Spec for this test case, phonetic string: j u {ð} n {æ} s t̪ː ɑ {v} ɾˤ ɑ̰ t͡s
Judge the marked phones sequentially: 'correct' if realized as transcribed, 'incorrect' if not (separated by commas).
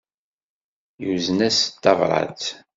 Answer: incorrect, correct, correct